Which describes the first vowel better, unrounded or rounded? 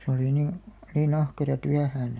unrounded